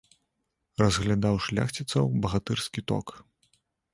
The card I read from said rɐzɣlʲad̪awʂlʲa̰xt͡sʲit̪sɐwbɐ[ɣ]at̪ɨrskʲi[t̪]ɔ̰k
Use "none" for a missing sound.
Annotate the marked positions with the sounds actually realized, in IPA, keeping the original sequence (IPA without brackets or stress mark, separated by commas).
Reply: ɣ, t̪